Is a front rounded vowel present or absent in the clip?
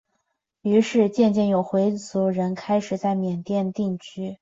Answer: present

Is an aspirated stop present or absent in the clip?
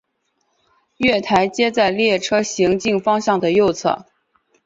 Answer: present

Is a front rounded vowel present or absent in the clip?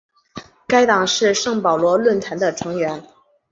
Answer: absent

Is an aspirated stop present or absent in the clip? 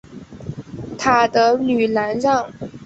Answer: present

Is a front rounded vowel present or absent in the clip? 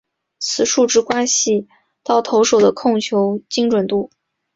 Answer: absent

